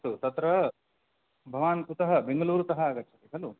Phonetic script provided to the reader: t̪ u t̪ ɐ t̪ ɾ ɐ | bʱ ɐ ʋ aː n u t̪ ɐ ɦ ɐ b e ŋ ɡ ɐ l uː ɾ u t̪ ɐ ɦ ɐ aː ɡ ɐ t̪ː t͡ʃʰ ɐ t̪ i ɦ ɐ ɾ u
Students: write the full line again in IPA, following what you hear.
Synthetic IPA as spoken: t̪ u t̪ ɐ t̪ ɾ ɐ | bʱ ɐ ʋ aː n u t̪ ɐ ɦ ɐ b e ŋ ɡ ɐ l uː ɾ u t̪ ɐ ɦ ɐ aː ɡ ɐ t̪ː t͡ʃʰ ɐ t̪ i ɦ ɐ l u